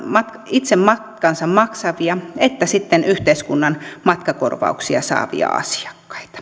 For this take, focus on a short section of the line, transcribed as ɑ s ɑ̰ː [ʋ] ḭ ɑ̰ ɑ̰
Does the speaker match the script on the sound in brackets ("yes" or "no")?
yes